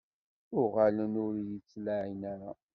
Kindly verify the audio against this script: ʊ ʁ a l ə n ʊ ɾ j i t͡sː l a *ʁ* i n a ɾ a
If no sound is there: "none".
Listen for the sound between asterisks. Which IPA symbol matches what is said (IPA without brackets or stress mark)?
ʕ